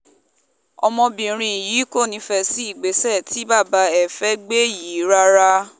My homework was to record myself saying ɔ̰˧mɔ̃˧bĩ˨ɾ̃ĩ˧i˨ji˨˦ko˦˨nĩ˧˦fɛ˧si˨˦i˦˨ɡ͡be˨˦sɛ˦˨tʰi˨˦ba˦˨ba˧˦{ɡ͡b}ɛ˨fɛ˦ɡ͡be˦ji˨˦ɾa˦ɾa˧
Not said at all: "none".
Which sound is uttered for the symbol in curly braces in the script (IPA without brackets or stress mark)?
none